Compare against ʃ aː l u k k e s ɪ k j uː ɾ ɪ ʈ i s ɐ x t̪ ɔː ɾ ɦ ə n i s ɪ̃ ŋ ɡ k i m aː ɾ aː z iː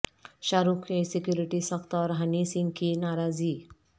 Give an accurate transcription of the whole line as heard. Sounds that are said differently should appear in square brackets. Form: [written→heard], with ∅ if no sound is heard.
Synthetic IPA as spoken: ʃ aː [l→ɾ] u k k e s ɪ k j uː ɾ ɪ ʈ i s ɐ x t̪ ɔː ɾ ɦ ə n i s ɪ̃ ŋ ɡ k i [m→n] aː ɾ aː z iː